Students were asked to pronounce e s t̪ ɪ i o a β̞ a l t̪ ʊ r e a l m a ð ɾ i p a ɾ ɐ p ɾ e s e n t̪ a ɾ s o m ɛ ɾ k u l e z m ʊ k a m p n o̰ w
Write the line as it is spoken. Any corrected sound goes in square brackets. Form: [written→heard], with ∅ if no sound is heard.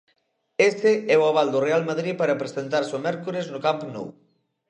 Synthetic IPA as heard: e s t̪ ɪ [i→ɛ] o a β̞ a l [t̪→d̪] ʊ r e a l m a ð ɾ i p a ɾ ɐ p ɾ e s e n t̪ a ɾ s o m ɛ ɾ k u [l→ɾ] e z [m→n] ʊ k a m p n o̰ w

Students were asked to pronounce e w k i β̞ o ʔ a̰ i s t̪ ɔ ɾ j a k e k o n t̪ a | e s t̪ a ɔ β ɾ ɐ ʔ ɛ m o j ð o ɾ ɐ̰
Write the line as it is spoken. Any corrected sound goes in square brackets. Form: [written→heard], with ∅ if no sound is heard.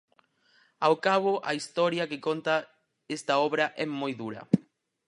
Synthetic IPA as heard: [e→a] w k [i→a] β̞ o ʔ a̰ i s t̪ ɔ ɾ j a k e k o n t̪ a | e s t̪ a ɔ β ɾ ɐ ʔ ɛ m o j ð [o→u] ɾ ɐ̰

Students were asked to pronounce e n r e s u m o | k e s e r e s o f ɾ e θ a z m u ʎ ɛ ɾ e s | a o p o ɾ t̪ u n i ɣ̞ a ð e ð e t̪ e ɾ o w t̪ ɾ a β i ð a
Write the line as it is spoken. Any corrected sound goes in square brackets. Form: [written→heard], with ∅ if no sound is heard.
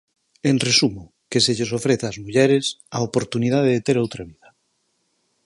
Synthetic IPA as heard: e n r e s u m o | k e s e [r→ʎ] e s o f ɾ e θ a z m u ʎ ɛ ɾ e s | a o p o ɾ t̪ u n i [ɣ̞→ð̞] a ð e ð e t̪ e ɾ o w t̪ ɾ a β i ð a

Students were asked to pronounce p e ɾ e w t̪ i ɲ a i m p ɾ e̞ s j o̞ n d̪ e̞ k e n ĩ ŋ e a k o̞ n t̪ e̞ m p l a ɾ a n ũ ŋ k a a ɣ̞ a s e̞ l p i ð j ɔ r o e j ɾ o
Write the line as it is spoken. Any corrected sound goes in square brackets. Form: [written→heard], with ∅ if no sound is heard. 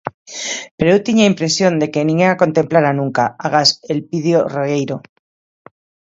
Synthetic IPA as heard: p e ɾ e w t̪ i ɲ a i m p ɾ e̞ s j o̞ n d̪ e̞ k e n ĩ ŋ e a k o̞ n t̪ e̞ m p l a ɾ a n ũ ŋ k a a ɣ̞ a s e̞ l p i ð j [ɔ→o] r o e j ɾ o

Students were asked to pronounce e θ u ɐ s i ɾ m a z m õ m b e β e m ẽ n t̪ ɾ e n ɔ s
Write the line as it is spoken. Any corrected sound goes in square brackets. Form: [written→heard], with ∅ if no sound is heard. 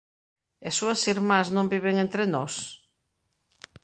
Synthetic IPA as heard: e [θ→s] u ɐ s i ɾ m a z [m→n] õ m b [e→i] β e [m→ŋ] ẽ n t̪ ɾ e n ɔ s

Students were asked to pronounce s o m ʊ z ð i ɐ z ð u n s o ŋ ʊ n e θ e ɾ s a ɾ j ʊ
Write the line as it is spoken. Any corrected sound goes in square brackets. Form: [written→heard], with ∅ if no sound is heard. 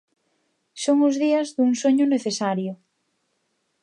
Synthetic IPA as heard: s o [m→ŋ] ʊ z ð i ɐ z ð u [n→ŋ] s o [ŋ→ɲ] ʊ n e θ e [ɾ→∅] s a ɾ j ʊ

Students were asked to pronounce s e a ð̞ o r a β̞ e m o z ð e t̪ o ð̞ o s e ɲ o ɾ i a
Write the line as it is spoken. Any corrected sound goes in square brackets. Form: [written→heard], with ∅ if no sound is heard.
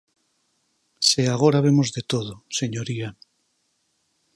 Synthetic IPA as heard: s e a [ð̞→ɣ̞] o [r→ɾ] a β̞ e m o z ð e t̪ o ð̞ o s e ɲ o ɾ i a

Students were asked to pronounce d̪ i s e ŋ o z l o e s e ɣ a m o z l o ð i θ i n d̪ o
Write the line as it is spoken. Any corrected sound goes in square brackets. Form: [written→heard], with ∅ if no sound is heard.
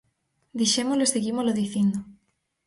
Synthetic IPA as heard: d̪ i [s→ʃ] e [ŋ→m] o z l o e s e ɣ [a→i] m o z l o ð i θ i n d̪ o

